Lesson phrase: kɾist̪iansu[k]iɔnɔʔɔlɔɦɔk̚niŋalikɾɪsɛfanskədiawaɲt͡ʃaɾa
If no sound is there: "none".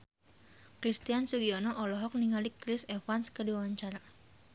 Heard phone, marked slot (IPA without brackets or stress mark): ɡ